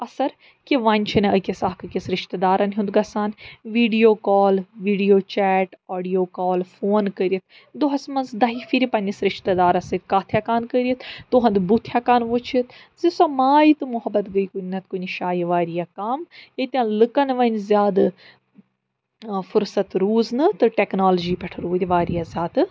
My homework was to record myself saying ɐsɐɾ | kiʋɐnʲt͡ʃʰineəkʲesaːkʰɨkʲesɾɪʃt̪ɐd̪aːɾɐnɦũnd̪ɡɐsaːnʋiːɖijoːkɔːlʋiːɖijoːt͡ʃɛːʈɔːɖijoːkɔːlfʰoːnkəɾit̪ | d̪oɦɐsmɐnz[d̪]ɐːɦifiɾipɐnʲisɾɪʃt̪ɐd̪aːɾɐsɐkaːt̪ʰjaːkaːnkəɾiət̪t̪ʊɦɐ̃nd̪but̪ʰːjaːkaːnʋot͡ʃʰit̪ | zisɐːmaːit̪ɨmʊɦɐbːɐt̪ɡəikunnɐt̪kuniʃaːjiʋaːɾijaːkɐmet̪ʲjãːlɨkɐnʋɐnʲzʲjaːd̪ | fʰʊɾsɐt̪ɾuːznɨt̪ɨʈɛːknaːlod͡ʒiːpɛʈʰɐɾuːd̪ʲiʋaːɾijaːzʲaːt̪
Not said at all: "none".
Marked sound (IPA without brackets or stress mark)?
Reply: d̪